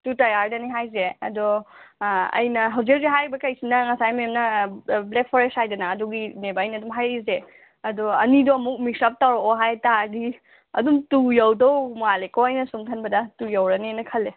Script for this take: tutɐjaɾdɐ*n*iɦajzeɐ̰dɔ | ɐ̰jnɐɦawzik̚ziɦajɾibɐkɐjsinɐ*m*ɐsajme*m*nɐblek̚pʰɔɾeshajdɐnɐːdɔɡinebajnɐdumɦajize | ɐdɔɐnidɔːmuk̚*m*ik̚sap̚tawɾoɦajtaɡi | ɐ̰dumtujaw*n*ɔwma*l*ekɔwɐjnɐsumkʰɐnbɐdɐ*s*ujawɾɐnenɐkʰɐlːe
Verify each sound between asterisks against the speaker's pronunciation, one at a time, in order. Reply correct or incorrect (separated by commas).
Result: correct, incorrect, correct, correct, incorrect, correct, incorrect